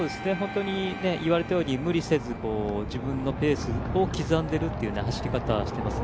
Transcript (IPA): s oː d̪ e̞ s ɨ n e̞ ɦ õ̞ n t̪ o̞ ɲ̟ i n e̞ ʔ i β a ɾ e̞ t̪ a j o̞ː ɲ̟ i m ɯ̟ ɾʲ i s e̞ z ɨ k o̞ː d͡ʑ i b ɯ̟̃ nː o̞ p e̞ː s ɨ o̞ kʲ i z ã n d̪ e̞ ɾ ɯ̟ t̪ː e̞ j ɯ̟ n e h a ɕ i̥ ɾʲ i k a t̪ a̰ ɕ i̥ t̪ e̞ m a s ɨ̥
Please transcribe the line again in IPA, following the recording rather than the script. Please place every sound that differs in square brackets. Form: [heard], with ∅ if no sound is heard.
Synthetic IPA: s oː d̪ e̞ s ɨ n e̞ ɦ õ̞ n t̪ o̞ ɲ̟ i n e̞ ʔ i β a ɾ e̞ t̪ a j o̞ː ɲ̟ i m ɯ̟ ɾʲ i s e̞ z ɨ k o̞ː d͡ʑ i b ɯ̟̃ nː o̞ p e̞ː s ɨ o̞ kʲ i z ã n d̪ e̞ ɾ ɯ̟ t̪ː e̞ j ɯ̟ n e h a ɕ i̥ ɾʲ i k a t̪ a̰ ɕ i̥ t̪ e̞ m a s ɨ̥